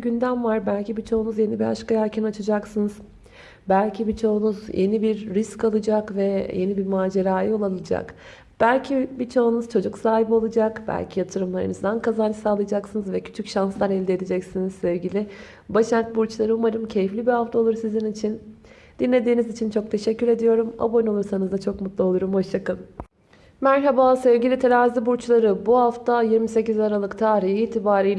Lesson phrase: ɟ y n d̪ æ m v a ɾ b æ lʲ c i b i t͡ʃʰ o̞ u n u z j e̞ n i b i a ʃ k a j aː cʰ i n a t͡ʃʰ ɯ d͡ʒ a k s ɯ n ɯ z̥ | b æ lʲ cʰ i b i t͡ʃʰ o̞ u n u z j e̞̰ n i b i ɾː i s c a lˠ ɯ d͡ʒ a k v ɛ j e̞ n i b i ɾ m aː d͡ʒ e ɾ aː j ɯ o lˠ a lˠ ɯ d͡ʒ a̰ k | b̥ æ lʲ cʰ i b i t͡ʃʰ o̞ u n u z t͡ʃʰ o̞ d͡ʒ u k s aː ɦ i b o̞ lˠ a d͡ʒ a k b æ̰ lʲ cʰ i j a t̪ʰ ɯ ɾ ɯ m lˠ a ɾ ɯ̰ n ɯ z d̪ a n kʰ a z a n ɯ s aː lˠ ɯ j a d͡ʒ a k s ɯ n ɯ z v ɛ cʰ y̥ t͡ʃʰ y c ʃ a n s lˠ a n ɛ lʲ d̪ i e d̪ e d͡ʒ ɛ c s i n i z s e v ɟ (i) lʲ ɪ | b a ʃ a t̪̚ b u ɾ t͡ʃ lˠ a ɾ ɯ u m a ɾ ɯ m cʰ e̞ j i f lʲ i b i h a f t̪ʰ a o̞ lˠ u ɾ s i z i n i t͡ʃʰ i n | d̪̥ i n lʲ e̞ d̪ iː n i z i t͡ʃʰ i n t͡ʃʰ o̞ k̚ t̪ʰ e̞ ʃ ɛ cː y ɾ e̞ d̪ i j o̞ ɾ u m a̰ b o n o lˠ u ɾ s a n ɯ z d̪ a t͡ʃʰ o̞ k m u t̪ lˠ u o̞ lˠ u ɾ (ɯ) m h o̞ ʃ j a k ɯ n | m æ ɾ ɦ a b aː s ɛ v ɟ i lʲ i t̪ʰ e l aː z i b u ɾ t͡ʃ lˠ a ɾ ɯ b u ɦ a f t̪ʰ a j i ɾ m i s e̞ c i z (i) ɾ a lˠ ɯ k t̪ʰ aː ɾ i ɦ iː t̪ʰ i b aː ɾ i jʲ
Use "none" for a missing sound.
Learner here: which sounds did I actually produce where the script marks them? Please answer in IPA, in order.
i, u, a

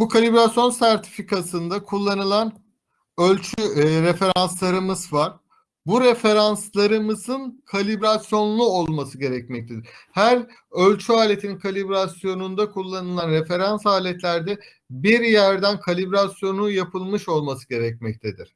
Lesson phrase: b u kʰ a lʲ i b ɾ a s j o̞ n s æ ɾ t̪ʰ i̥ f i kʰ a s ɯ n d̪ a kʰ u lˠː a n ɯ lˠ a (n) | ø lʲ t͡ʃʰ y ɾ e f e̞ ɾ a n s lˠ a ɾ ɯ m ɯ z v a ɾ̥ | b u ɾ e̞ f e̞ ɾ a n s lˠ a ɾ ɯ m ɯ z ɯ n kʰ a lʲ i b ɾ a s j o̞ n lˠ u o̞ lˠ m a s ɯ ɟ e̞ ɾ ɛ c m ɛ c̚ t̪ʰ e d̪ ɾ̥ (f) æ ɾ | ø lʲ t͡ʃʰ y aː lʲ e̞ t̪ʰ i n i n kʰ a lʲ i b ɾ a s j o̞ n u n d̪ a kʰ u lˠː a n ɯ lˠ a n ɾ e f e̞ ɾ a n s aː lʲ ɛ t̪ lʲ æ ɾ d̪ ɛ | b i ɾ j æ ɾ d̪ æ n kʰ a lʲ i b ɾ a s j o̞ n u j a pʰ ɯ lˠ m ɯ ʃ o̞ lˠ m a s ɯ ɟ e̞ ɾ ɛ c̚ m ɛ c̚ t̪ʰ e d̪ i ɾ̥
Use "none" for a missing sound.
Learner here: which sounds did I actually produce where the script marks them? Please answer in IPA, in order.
n, h

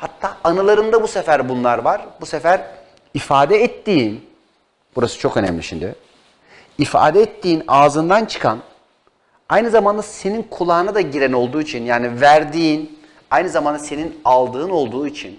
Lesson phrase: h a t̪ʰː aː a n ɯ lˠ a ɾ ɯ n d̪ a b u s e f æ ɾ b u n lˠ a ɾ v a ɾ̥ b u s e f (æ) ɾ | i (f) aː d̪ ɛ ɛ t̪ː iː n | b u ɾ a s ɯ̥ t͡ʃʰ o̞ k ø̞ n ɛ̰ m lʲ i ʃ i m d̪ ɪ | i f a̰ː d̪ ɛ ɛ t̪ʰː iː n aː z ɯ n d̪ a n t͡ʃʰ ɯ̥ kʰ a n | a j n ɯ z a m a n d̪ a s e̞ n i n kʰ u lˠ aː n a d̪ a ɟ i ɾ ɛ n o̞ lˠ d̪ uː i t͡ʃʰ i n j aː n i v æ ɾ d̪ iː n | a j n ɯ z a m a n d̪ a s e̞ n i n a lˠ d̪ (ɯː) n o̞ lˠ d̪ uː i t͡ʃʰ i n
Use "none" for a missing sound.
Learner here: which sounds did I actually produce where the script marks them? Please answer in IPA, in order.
æ, f, ɯː

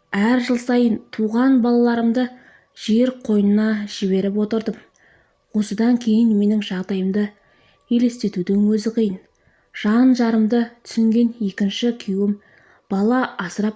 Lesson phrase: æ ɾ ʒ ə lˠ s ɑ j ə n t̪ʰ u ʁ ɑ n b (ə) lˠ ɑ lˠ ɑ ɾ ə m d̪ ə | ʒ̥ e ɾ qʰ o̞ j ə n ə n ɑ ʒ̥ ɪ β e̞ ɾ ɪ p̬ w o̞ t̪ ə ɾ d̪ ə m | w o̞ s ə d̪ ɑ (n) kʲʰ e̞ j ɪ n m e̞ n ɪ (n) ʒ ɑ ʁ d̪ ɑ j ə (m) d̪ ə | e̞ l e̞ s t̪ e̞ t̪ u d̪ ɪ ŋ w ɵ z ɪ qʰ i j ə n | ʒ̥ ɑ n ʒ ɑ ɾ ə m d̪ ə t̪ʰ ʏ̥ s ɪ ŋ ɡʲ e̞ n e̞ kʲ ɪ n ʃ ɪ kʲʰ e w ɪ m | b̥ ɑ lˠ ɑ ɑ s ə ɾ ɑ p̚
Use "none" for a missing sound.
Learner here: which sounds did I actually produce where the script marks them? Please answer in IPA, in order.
ɑ, ŋ, ŋ, m

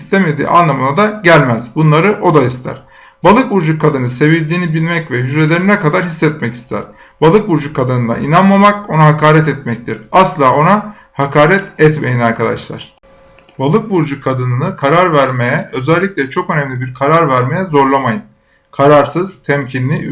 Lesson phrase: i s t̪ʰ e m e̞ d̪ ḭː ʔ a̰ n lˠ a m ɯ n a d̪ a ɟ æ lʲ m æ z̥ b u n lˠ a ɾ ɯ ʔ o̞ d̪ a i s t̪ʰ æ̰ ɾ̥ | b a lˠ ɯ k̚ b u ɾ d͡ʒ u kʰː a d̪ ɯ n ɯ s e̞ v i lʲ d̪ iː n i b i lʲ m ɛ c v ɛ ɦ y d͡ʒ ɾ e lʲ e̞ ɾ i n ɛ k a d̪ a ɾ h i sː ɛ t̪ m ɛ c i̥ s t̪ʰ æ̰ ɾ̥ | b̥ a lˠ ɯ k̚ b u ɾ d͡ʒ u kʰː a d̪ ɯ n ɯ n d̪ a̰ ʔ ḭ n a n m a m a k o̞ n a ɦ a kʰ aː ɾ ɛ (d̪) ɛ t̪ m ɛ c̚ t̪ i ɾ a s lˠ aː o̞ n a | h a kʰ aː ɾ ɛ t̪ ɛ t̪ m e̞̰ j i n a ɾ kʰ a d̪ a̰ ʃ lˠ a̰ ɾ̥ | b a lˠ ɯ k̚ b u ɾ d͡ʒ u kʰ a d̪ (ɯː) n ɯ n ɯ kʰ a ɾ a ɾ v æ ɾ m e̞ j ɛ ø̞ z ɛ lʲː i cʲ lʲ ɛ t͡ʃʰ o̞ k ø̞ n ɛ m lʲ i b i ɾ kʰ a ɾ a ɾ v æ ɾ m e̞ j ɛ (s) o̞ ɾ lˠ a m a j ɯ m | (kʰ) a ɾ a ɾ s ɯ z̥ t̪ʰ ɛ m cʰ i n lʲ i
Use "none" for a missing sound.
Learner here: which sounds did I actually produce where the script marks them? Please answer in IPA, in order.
t̪, ɯ, z, kʰ

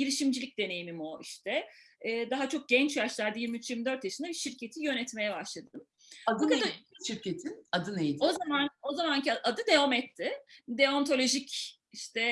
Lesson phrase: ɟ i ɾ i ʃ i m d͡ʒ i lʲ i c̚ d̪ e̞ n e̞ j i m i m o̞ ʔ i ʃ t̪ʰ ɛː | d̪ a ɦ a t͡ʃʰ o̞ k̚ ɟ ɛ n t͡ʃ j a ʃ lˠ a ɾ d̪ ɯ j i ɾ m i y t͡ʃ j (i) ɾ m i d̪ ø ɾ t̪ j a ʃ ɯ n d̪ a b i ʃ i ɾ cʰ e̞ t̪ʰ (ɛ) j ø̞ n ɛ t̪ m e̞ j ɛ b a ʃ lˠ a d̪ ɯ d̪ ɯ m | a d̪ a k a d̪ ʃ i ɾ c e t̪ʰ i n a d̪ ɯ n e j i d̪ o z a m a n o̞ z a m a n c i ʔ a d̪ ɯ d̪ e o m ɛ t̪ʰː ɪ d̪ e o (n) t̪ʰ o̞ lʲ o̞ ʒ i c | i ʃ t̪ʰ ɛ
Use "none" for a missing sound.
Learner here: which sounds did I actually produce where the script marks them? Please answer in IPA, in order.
i, i, n

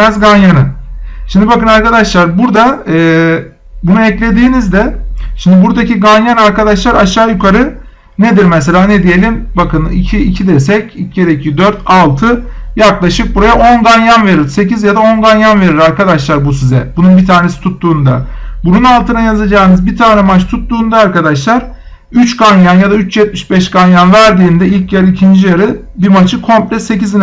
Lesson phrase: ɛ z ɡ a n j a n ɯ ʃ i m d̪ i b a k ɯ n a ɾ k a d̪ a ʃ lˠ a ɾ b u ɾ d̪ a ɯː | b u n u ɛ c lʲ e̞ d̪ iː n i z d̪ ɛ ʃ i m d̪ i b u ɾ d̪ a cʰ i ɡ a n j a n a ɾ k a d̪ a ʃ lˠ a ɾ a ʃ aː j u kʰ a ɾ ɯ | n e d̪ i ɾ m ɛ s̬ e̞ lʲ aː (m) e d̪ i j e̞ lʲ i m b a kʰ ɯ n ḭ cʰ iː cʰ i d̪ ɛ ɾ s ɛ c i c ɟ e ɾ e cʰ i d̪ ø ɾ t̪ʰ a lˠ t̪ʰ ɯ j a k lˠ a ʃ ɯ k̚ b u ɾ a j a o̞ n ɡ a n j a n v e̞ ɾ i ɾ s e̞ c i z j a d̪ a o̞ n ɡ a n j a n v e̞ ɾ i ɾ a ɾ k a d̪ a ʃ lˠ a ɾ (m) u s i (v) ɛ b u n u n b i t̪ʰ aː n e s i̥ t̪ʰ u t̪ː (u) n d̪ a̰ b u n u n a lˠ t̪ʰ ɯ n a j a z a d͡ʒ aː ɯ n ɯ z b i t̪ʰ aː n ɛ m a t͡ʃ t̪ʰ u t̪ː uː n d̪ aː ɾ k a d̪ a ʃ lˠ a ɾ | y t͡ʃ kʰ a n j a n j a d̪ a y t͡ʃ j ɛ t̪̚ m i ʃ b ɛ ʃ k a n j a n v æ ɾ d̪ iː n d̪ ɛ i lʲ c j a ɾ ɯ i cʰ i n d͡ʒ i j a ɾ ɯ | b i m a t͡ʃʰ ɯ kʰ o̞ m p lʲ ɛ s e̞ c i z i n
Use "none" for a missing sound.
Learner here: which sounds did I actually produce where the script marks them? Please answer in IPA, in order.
n, b, z, uː

